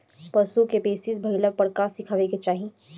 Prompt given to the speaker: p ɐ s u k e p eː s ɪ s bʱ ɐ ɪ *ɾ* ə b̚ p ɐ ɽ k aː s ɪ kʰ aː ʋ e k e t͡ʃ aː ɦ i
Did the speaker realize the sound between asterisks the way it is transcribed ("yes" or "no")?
no